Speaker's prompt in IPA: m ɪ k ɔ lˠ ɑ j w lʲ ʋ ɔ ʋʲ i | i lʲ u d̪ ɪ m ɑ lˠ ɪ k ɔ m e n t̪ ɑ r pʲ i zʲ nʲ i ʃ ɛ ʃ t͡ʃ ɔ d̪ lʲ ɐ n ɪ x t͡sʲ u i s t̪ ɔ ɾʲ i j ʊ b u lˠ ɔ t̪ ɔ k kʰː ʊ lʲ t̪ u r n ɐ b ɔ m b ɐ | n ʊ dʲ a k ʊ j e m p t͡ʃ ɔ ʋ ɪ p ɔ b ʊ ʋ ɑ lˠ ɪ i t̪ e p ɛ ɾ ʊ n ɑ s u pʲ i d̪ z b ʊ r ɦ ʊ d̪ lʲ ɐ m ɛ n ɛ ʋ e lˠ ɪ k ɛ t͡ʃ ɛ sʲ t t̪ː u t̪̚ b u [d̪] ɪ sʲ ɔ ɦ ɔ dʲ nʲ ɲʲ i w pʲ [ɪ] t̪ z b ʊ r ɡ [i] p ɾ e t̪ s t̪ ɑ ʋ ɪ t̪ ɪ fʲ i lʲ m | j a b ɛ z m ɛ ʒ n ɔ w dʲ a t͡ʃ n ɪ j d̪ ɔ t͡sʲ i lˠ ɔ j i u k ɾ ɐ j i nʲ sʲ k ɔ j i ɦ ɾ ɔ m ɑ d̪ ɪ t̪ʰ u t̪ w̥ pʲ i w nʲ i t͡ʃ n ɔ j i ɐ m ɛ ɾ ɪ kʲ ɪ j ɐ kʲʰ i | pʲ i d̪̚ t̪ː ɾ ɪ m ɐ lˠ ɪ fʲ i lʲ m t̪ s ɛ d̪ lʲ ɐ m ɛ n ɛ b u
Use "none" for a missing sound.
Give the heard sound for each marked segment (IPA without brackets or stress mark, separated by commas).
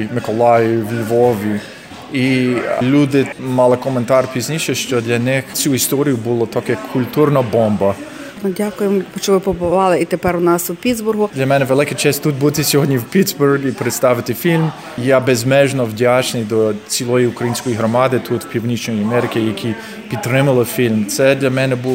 t̪, i, i